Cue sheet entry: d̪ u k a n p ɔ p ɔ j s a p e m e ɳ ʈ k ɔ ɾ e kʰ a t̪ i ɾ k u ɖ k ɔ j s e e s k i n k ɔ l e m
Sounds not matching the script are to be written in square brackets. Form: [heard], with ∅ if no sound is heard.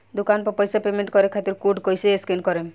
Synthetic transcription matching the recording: d̪ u k a n p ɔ p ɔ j s a p e m e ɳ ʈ k ɔ ɾ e kʰ a t̪ i ɾ k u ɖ k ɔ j s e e s k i n k ɔ [ɾ] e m

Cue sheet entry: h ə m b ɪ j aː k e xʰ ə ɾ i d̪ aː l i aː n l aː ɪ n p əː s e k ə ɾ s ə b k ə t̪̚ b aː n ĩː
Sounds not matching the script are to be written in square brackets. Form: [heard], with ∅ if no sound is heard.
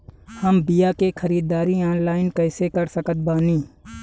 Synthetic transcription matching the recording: h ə m b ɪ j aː k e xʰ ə ɾ [iː] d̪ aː [ɾ] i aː n l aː ɪ n [k] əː s e k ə ɾ s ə [∅] k ə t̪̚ b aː n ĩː

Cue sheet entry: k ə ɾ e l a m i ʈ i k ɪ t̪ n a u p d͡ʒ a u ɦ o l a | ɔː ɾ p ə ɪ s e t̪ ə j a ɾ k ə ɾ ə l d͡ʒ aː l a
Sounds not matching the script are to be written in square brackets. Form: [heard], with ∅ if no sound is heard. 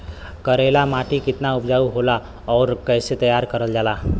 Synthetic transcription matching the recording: k ə ɾ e l a m [a] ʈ i k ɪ t̪ n a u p d͡ʒ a u ɦ o l a | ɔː ɾ [k] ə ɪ s e t̪ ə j a ɾ k ə ɾ ə l d͡ʒ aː l a

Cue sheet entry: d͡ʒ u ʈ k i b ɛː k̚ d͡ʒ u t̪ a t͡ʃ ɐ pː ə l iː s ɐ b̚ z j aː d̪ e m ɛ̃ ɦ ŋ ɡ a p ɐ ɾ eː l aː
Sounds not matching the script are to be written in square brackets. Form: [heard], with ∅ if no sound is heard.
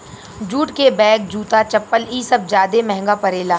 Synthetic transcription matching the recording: d͡ʒ [uː] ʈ k [e] b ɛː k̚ d͡ʒ [uː] t̪ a t͡ʃ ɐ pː ə l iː s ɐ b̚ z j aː d̪ e m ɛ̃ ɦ ŋ ɡ a p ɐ ɾ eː l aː

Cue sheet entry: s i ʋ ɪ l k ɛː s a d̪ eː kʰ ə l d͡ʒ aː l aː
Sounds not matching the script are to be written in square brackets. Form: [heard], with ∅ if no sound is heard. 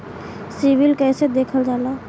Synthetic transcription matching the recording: s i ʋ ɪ l k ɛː s [e] d̪ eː kʰ ə l d͡ʒ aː l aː

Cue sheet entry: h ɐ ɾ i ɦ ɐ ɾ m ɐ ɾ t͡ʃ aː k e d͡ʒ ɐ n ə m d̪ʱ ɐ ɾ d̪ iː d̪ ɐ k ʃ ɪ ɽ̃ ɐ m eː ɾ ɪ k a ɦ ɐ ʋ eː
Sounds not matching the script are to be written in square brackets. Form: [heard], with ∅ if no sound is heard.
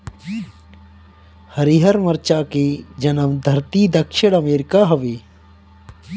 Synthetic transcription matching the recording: h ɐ ɾ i ɦ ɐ ɾ m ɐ ɾ t͡ʃ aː k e d͡ʒ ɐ n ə m d̪ʱ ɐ ɾ [t̪] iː d̪ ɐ k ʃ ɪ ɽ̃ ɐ m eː ɾ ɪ k a ɦ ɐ ʋ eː

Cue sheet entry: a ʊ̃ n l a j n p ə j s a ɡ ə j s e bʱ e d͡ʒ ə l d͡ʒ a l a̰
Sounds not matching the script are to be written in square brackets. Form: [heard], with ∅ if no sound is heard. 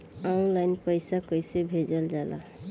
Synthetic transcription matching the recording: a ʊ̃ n l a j n p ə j s a [k] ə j s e bʱ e d͡ʒ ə l d͡ʒ a l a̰

